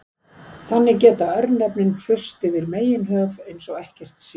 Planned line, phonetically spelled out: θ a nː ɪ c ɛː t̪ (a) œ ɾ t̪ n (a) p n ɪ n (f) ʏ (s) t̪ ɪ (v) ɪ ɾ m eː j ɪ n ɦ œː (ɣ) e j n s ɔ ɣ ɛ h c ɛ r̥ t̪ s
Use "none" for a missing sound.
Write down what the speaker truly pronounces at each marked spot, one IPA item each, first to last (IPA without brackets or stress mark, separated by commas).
a, ɛ, f, s, v, v